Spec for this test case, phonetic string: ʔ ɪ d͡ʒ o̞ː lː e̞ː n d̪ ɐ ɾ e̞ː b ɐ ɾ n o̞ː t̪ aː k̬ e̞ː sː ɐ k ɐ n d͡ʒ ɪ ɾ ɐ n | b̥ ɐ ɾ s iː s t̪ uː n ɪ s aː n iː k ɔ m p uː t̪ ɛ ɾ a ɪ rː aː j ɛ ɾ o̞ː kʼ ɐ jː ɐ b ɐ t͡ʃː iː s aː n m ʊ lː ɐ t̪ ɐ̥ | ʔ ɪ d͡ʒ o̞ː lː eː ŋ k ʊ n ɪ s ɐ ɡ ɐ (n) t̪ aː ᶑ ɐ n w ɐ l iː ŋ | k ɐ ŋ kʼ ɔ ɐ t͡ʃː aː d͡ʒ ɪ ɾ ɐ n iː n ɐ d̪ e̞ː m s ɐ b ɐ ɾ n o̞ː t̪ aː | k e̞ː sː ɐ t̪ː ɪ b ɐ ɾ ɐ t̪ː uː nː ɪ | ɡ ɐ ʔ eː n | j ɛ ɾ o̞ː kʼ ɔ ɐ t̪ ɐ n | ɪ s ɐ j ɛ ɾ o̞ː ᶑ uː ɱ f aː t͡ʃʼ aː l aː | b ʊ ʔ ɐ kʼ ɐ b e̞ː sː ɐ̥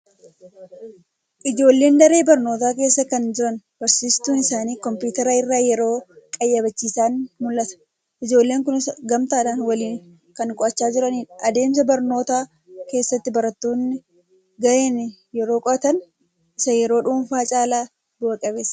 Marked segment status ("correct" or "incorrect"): incorrect